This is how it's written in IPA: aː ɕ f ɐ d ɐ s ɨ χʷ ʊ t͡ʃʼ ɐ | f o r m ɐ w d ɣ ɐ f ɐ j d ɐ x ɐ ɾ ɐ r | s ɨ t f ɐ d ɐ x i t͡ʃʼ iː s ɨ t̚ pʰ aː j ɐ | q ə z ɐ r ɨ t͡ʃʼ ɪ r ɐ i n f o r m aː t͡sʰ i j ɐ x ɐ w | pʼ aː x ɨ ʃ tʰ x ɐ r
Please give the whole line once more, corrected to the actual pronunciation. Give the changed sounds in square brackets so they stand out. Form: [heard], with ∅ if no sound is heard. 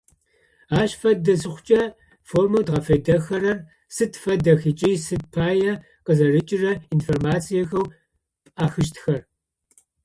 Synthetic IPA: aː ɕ f ɐ d ɐ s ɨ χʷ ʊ t͡ʃʼ ɐ | f o r m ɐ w d [ʁ] ɐ f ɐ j d ɐ x ɐ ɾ ɐ r | s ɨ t f ɐ d ɐ x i t͡ʃʼ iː s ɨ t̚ pʰ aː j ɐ | q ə z ɐ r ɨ t͡ʃʼ ɪ r ɐ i n f o r m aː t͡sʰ i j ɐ x ɐ w | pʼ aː x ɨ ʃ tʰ x ɐ r